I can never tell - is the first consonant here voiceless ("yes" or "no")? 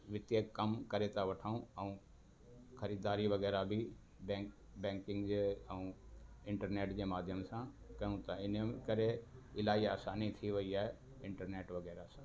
no